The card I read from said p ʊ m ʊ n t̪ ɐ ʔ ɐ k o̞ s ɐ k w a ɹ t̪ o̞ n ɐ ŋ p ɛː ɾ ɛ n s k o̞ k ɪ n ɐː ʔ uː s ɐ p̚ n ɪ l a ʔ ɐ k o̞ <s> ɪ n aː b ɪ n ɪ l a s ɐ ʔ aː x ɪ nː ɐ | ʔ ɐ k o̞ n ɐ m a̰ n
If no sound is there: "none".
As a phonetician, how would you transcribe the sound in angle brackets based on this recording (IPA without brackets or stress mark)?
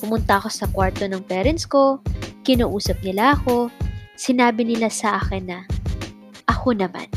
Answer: s